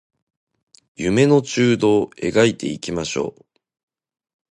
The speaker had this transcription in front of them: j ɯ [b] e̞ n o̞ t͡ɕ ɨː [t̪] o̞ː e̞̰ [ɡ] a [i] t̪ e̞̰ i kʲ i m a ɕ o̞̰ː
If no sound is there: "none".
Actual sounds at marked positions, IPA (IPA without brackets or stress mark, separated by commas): m, d̪, ɡ, i